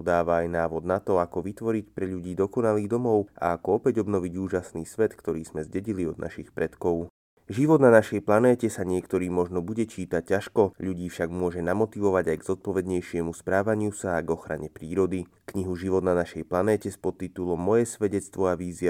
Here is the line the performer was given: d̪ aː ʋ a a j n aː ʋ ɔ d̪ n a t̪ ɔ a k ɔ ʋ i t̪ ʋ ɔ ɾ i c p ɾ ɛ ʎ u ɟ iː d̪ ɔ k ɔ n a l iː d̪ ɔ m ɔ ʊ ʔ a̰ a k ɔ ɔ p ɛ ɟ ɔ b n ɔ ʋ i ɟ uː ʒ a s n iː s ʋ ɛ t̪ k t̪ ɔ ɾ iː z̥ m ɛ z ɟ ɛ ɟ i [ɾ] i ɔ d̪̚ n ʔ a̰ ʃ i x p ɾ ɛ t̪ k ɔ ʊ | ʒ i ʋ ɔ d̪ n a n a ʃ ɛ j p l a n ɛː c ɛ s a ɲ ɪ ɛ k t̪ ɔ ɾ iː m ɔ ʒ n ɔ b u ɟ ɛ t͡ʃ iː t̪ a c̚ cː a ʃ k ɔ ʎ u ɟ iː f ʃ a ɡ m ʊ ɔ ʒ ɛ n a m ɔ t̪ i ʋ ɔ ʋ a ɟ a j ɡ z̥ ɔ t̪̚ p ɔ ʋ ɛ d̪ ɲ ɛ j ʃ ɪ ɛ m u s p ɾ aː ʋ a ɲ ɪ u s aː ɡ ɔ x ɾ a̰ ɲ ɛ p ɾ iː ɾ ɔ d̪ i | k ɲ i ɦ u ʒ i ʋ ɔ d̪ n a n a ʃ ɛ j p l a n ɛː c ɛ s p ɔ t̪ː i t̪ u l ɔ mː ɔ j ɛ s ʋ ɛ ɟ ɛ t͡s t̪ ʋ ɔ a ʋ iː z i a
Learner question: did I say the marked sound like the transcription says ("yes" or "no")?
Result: no